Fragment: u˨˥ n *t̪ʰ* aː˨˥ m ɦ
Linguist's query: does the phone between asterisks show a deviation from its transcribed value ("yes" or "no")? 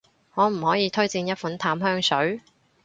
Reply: no